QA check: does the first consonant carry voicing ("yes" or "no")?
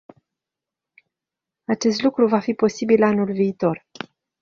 no